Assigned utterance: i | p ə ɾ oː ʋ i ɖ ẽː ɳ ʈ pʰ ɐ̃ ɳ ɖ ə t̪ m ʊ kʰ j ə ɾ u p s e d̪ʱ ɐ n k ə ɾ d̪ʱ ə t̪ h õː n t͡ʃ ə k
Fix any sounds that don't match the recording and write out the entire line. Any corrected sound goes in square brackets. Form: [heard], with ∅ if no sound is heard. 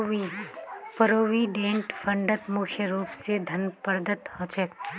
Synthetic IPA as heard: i | p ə ɾ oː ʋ i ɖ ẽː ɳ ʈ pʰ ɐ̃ ɳ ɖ ə t̪ m ʊ kʰ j ə ɾ [uː] p s e d̪ʱ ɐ n [p] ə ɾ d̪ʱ ə t̪ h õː [∅] t͡ʃ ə k